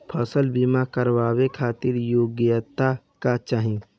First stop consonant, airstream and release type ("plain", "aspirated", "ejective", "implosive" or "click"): aspirated